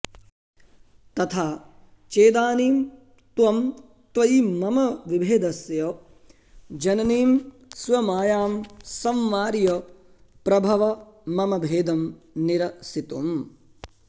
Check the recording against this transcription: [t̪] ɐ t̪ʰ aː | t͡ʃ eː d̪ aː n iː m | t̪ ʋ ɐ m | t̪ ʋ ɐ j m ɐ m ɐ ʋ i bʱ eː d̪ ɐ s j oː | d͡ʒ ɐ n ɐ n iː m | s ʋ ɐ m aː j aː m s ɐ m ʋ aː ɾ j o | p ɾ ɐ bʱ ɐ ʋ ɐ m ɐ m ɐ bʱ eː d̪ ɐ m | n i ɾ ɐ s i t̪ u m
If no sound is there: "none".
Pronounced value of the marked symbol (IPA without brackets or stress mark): t̪